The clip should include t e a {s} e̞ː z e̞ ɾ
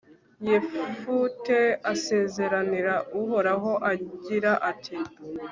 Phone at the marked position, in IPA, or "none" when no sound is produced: s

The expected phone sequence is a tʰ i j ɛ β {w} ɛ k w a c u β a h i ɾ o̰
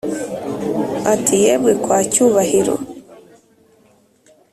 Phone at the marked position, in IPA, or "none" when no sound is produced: w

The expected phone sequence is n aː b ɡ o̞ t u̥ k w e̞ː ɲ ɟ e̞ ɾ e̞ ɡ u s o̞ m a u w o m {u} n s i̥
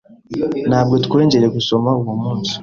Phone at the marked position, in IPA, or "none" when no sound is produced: uː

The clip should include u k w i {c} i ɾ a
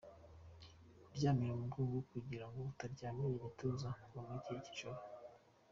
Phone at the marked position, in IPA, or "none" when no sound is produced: ɟ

